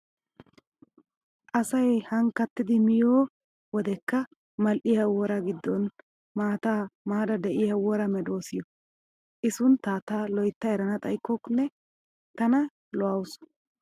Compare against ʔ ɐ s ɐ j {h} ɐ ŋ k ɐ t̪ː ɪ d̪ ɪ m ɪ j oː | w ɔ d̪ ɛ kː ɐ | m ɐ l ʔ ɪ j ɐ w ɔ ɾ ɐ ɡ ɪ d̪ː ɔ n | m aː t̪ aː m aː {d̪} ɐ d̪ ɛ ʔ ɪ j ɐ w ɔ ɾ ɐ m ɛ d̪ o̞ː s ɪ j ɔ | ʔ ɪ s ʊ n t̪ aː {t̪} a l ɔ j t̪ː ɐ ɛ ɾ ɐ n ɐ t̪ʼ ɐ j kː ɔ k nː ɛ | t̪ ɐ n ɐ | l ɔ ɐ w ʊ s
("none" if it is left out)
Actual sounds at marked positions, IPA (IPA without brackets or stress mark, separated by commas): h, d̪, t̪